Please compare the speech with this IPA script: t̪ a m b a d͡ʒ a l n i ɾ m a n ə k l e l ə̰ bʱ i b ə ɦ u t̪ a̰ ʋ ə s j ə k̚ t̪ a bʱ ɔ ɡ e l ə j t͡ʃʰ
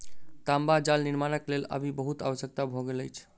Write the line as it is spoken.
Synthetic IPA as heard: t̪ a m b a d͡ʒ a l n i ɾ m a n ə k l e l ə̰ bʱ i b ə ɦ u t̪ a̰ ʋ ə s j ə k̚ t̪ a bʱ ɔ ɡ e l ə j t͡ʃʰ